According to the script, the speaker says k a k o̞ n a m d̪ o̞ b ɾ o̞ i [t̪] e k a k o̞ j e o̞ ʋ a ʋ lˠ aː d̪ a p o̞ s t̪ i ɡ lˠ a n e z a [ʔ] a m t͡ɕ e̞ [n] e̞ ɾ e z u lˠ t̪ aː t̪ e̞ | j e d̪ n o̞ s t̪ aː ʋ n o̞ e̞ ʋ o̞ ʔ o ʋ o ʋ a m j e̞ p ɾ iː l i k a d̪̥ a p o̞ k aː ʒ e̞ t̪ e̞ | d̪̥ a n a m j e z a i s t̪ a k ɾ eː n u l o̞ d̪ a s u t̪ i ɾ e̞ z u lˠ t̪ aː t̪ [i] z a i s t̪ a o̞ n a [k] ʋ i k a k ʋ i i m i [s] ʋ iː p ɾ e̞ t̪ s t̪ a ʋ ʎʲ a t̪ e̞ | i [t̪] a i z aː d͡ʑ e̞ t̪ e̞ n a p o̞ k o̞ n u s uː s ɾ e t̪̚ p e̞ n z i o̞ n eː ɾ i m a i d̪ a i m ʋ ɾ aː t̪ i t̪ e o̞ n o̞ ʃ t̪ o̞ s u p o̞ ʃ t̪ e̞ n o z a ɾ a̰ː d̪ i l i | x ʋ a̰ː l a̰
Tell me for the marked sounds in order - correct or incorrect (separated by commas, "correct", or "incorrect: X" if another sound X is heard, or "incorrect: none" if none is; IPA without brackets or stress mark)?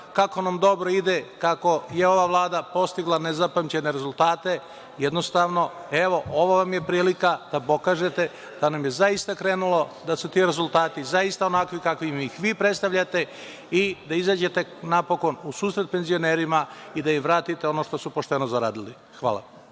incorrect: d̪, incorrect: p, correct, correct, correct, incorrect: x, incorrect: d̪